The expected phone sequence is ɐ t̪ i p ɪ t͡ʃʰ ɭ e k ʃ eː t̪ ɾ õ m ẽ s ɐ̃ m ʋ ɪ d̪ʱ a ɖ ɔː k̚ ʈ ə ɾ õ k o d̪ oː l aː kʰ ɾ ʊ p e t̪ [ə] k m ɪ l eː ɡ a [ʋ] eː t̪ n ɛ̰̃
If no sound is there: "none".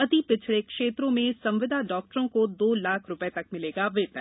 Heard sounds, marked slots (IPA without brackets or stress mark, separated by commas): ɐ, ʋ